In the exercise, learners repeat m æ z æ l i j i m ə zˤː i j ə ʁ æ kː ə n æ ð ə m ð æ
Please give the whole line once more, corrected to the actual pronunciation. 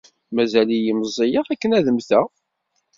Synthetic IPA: m æ z æ l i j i m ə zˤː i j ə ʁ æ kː ə n æ ð ə m θ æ